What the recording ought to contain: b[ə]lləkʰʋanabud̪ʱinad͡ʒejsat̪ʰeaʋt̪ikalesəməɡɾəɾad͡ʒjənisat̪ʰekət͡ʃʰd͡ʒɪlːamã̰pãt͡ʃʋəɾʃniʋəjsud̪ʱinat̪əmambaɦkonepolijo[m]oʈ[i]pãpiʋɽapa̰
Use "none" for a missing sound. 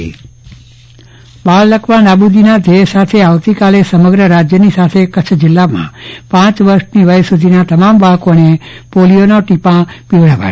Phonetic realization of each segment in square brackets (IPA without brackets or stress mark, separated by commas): a, n, i